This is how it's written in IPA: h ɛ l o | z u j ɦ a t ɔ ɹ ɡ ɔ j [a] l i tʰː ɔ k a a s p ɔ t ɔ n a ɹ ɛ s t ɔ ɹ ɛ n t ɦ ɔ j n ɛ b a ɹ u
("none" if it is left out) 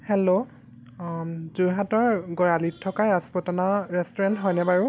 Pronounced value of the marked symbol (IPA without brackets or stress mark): a